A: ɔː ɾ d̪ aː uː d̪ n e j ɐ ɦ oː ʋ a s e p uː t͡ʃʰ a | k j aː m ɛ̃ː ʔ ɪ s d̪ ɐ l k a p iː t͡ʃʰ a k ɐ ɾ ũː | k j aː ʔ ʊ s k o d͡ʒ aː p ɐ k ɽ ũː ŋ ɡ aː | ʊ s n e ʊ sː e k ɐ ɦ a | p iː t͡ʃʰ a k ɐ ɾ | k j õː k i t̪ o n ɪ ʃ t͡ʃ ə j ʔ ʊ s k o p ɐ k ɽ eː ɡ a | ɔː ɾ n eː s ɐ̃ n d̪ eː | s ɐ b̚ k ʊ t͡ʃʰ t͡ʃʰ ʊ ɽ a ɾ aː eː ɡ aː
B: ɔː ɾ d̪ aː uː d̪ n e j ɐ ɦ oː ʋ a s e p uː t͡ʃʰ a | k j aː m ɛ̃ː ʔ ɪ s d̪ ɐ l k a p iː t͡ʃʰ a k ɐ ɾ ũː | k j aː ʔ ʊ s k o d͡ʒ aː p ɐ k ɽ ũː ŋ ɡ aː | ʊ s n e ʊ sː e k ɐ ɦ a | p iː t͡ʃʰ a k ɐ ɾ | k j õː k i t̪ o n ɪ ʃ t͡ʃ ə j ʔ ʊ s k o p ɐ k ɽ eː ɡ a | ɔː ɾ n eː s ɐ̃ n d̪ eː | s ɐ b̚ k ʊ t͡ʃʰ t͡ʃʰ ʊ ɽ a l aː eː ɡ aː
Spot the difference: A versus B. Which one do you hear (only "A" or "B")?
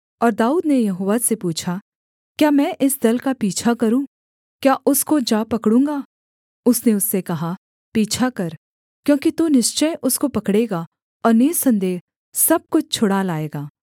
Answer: B